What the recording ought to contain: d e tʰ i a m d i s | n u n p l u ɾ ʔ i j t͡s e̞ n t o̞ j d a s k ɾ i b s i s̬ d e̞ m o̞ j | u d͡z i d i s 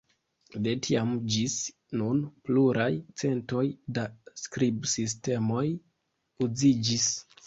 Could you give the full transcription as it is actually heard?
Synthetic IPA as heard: d e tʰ i a m d͡ʒ i s | n u n p l u ɾ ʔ a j t͡s e̞ n t o̞ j d a s k ɾ i b s i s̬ t e̞ m o̞ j | u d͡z i d͡ʒ i s